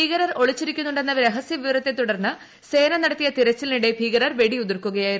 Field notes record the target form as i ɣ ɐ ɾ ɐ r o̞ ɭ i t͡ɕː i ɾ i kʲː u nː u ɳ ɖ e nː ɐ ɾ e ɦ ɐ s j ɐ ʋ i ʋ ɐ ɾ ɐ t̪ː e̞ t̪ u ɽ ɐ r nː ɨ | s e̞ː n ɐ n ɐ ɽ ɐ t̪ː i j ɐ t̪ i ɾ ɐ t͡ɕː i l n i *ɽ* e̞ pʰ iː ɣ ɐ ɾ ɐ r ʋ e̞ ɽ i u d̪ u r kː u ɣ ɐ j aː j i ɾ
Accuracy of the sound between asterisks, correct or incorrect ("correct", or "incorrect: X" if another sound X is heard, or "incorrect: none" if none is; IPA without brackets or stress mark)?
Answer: correct